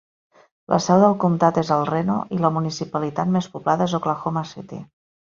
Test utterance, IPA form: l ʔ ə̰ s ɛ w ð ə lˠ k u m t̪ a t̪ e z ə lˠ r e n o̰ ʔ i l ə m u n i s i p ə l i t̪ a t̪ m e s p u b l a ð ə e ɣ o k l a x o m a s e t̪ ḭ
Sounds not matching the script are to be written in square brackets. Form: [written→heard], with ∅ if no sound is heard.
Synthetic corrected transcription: l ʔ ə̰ s ɛ w ð ə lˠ k u m t̪ a t̪ e z ə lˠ r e n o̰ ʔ i l ə m u n i s i p ə l i t̪ a t̪ m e s p u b l a ð ə e [ɣ→z] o k l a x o m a s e t̪ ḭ